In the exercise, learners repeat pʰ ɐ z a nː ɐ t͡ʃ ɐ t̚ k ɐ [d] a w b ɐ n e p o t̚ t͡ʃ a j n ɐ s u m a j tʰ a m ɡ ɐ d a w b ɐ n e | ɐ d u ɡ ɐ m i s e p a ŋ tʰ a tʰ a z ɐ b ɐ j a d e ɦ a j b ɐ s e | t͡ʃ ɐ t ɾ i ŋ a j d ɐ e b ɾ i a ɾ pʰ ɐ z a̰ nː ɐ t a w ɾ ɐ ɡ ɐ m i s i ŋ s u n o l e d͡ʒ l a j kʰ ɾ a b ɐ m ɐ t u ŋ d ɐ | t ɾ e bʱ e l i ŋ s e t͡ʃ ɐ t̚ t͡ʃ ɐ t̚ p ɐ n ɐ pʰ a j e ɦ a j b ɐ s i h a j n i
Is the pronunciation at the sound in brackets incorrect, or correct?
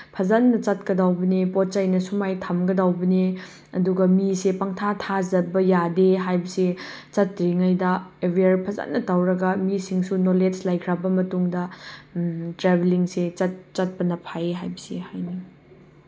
correct